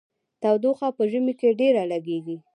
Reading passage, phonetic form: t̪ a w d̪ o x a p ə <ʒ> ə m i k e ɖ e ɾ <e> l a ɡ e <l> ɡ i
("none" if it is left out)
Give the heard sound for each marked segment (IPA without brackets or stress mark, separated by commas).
ʒ, a, none